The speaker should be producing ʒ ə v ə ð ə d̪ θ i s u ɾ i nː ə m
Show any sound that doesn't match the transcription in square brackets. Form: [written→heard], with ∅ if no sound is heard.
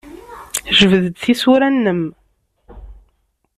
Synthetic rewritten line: ʒ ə v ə ð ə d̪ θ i s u ɾ [i→æ] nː ə m